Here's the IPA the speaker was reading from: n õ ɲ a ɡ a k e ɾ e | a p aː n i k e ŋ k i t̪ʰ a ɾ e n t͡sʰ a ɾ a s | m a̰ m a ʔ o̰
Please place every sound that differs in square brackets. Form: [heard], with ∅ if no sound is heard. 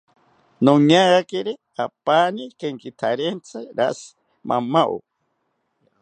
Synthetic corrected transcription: n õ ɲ a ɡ a k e ɾ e | a p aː n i k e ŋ k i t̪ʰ a ɾ e n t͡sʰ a ɾ a s | m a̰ m a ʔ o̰